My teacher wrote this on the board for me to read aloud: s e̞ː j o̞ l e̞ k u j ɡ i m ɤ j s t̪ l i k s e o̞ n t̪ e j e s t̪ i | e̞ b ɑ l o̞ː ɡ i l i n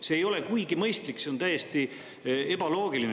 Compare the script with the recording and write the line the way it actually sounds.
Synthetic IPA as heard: s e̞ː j o̞ l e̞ k u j ɡ i m ɤ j s t̪ l i k s e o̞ n t̪ æ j e s t̪ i | e̞ b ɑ l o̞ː ɡ i l i n